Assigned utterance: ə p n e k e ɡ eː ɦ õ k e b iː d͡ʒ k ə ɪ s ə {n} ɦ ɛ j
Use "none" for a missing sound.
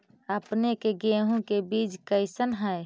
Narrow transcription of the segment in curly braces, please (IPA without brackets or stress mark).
n